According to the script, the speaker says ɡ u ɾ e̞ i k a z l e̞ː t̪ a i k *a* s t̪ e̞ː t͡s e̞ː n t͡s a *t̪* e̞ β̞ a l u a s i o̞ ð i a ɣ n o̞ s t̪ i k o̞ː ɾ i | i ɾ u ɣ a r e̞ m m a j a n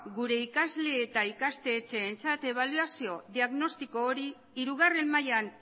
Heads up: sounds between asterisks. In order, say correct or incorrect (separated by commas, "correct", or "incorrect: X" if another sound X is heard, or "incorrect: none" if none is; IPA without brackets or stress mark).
correct, correct